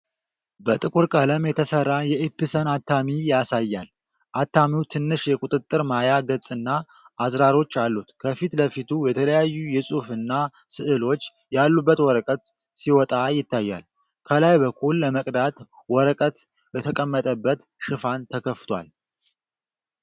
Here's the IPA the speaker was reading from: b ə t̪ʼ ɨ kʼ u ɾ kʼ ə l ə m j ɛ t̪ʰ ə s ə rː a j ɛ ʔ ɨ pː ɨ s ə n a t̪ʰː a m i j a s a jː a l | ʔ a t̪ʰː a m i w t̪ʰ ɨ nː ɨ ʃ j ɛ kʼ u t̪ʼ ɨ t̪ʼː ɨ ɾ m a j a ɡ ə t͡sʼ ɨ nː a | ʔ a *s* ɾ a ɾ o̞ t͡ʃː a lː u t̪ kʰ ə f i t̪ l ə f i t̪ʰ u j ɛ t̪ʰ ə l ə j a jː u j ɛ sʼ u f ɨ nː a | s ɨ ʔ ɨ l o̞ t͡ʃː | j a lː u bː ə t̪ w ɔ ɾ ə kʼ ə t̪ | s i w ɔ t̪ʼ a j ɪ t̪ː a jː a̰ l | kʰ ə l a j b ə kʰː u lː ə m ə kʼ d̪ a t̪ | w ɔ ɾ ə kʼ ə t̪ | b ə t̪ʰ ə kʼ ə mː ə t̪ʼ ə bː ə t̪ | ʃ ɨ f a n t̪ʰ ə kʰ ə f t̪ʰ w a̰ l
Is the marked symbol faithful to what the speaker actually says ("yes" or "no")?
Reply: no